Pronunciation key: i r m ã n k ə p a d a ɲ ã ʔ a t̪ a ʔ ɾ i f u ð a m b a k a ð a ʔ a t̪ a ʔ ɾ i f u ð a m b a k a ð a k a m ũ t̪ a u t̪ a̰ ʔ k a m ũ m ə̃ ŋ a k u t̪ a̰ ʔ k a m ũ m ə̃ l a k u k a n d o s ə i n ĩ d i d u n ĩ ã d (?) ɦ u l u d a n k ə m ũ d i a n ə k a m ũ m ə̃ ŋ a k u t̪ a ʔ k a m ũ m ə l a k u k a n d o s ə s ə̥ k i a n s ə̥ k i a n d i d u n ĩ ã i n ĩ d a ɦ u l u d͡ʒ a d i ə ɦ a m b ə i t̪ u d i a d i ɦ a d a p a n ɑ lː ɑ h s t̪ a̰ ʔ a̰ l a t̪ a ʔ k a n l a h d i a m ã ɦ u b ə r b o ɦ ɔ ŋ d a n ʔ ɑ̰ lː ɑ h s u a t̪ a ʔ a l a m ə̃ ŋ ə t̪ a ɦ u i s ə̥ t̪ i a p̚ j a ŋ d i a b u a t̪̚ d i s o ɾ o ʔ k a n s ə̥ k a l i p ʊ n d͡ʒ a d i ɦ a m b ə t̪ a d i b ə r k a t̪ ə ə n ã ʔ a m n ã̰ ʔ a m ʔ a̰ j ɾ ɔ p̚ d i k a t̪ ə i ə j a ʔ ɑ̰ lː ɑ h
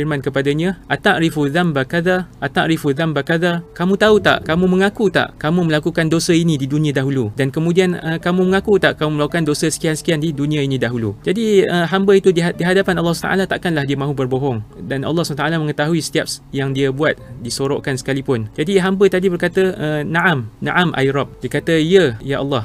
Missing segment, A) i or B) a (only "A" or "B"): B